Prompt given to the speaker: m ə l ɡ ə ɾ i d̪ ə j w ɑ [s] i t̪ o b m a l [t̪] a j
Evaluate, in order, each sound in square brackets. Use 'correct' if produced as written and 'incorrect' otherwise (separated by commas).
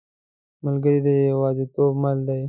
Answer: incorrect, incorrect